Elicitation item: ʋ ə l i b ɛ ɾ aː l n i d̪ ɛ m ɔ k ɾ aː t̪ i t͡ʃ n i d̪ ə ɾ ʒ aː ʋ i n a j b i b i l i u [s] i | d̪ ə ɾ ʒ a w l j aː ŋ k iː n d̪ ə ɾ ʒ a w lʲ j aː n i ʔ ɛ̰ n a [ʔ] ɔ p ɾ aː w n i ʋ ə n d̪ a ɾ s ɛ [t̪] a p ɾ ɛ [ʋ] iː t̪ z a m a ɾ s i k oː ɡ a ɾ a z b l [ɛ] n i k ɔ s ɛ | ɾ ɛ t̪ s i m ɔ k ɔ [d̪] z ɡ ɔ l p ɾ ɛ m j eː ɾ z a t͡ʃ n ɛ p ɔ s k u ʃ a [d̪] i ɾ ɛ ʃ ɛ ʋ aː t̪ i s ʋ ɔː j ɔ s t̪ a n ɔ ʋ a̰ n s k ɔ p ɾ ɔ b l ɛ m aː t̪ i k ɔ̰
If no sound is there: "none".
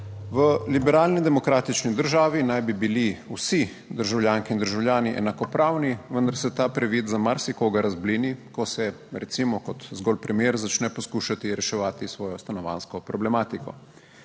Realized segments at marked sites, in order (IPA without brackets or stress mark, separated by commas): s, k, t̪, ʋ, i, t̪, t̪